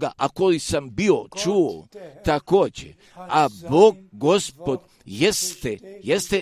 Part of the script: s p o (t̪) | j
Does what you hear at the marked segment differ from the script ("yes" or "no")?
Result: yes